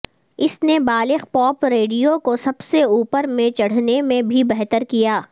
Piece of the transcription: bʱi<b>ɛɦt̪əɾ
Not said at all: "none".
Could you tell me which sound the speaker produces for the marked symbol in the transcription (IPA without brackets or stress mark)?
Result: b